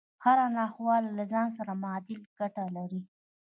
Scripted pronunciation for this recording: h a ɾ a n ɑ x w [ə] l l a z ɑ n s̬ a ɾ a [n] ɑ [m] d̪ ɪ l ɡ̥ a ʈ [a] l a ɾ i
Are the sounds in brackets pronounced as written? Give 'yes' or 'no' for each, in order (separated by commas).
no, no, no, yes